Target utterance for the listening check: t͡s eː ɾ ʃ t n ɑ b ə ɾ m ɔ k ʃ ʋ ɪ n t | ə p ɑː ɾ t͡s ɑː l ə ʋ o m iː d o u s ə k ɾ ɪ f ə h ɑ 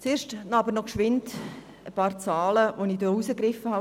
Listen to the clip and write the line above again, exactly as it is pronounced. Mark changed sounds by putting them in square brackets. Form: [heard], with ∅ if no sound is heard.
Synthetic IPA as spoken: t͡s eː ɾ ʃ t n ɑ b ə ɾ [n] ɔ k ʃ ʋ ɪ n t | ə p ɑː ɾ t͡s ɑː l ə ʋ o [n] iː d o u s ə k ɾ ɪ f ə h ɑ